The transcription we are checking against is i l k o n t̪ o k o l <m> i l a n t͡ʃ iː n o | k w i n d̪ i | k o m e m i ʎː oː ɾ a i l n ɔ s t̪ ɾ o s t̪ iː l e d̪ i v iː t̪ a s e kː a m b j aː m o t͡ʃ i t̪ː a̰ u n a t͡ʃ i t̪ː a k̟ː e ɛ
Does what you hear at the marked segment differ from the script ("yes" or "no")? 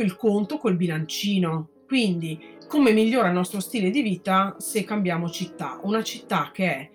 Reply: yes